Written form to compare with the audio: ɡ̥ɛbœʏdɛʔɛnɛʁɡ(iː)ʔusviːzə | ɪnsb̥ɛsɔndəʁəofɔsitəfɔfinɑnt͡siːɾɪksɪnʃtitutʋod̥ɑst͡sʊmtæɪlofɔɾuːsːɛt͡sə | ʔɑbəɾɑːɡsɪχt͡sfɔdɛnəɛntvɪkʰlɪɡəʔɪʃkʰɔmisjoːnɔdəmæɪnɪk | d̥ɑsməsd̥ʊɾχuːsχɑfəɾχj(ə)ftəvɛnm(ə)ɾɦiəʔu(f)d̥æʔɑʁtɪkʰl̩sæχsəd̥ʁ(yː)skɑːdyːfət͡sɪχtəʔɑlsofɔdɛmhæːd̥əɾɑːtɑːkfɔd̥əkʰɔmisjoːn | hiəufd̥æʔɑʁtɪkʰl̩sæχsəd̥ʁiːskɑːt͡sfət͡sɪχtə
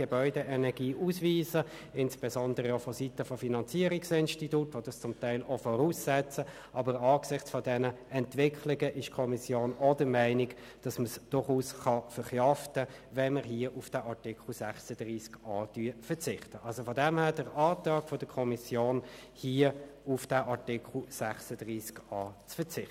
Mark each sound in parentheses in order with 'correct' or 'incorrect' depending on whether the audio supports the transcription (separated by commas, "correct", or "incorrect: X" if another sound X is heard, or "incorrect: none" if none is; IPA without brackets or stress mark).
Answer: correct, incorrect: ɑ, correct, correct, incorrect: iː